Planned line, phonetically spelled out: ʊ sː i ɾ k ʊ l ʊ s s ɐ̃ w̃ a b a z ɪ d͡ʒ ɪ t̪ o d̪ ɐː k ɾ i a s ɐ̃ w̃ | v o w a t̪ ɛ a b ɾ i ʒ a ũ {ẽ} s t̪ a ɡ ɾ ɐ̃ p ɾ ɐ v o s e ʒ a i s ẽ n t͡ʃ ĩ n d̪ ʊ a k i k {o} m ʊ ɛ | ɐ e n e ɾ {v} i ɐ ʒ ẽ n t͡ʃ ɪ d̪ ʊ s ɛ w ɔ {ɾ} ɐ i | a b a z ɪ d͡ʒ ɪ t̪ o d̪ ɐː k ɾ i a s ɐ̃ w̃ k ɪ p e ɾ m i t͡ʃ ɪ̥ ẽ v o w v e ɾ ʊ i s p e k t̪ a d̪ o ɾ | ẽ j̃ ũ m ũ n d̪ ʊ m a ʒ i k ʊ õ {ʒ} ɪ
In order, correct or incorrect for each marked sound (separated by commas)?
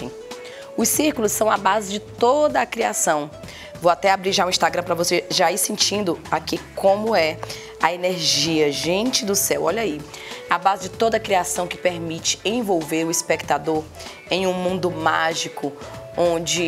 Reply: incorrect, incorrect, incorrect, incorrect, incorrect